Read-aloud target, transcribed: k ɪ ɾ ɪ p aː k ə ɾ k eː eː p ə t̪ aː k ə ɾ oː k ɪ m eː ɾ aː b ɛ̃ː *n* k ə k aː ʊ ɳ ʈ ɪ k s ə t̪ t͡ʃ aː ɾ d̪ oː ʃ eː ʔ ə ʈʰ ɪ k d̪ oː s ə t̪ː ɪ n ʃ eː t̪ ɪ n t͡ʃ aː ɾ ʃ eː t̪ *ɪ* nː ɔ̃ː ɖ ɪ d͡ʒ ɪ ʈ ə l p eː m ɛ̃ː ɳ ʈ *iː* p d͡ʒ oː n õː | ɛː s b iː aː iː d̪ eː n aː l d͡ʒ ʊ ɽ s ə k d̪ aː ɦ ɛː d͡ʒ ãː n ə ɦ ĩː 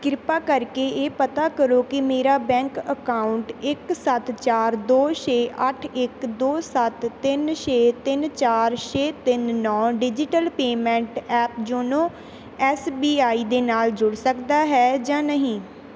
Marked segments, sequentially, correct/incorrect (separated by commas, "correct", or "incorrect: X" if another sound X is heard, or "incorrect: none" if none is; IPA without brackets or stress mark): incorrect: ŋ, correct, incorrect: ɛː